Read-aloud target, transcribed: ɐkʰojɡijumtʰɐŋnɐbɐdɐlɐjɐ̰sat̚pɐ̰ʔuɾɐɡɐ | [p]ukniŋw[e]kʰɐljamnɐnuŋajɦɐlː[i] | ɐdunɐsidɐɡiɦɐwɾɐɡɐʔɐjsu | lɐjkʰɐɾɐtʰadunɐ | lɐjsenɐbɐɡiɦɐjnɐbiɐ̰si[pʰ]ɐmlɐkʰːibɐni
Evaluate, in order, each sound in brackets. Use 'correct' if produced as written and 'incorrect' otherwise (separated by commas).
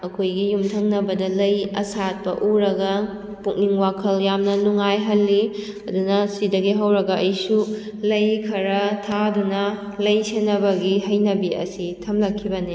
correct, incorrect, correct, incorrect